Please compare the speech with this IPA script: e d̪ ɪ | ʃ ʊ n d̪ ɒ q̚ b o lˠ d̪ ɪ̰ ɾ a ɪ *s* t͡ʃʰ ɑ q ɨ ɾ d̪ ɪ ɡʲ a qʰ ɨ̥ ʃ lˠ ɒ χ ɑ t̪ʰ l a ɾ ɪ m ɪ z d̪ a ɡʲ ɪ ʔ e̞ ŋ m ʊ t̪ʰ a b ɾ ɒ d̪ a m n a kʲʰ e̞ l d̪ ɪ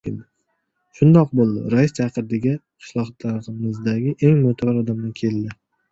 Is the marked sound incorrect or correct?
correct